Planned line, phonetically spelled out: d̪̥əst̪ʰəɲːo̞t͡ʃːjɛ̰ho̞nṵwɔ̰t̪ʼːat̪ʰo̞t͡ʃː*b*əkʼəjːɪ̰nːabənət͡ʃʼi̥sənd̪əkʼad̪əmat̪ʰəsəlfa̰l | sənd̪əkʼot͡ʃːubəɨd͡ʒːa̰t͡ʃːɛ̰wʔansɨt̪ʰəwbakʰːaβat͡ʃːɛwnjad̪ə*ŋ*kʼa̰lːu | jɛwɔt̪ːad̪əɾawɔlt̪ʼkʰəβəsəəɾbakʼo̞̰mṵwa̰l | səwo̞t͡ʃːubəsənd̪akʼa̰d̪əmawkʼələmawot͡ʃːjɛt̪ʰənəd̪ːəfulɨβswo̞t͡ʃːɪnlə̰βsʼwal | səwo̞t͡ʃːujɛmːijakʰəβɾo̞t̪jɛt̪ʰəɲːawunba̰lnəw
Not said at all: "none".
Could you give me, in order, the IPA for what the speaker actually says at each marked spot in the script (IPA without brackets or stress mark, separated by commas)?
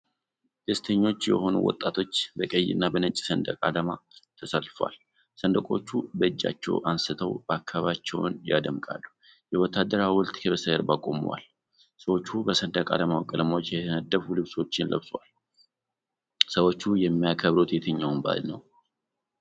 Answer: b, m